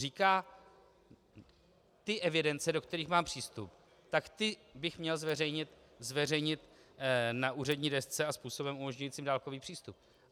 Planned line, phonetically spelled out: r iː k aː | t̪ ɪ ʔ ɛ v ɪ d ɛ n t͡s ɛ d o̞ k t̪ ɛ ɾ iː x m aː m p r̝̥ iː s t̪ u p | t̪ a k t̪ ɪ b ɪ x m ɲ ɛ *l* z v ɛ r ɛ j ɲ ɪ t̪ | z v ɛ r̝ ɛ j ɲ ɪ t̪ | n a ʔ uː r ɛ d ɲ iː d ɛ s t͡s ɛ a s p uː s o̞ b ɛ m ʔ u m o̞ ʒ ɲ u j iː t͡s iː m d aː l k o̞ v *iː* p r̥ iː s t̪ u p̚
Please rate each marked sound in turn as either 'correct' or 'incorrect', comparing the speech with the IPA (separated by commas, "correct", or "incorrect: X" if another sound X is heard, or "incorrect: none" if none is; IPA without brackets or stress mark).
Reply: correct, correct